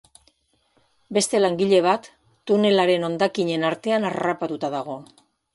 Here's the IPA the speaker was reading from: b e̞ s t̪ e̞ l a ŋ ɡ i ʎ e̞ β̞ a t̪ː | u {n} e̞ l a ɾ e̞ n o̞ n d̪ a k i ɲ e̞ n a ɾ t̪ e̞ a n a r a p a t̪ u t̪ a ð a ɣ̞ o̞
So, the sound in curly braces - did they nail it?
yes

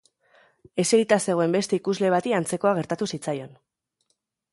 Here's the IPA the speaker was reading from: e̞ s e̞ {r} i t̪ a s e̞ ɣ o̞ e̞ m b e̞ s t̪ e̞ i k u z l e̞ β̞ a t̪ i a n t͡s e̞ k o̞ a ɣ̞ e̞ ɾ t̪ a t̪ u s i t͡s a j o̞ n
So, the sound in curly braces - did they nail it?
no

